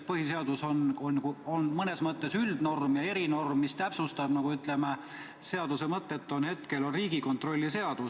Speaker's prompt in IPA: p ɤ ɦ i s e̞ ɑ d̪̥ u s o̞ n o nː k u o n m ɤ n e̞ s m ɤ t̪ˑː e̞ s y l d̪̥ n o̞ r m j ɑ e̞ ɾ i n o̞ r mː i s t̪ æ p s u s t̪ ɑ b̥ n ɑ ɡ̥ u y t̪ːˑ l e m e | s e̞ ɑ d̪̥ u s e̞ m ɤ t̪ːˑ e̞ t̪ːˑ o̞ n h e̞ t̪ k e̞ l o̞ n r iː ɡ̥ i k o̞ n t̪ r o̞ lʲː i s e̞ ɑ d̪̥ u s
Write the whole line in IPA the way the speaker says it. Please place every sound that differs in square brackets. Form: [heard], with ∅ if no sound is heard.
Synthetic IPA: p ɤ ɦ i s e̞ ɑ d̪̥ u s o̞ n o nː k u o n m ɤ n e̞ s m ɤ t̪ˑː e̞ s y l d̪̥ n o̞ r m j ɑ e̞ ɾ i n o̞ r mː i s t̪ æ p s u s t̪ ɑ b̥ n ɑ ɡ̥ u y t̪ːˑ l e m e | s e̞ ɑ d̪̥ u s e̞ m ɤ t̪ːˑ e̞ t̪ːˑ o̞ n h e̞ t̪ k e̞ l o̞ n r iː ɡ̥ i k o̞ n t̪ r o̞ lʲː i s e̞ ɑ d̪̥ u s